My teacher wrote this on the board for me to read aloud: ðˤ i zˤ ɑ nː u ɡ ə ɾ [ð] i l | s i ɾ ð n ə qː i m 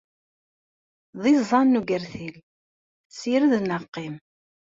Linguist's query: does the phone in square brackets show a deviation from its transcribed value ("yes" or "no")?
yes